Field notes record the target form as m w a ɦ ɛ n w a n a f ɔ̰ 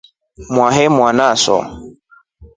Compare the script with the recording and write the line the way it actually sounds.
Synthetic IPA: m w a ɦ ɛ m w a n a s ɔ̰